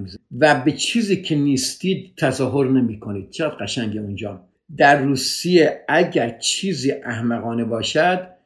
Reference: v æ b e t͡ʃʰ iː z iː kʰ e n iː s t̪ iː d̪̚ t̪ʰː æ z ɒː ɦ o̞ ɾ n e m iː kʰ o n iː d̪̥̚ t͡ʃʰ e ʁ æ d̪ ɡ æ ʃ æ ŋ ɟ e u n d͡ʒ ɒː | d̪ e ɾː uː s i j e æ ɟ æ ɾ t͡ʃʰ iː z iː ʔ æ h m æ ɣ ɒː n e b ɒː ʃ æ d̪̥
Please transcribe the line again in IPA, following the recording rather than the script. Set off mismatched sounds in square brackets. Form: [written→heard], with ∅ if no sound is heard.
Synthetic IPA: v æ b e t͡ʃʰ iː z iː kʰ e n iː s t̪ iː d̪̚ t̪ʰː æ z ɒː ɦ o̞ ɾ n e m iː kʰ o n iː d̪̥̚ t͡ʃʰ e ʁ æ d̪ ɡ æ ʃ æ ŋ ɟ e u n d͡ʒ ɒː | d̪ [e→æ] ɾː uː s i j e æ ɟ æ ɾ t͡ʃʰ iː z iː ʔ æ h m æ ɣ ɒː n e b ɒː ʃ æ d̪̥